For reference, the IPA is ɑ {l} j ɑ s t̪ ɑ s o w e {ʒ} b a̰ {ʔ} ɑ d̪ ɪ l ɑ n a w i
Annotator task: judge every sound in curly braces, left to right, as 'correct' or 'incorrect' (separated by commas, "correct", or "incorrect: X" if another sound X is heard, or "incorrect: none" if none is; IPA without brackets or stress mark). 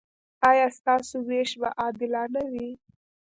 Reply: incorrect: none, incorrect: ʃ, correct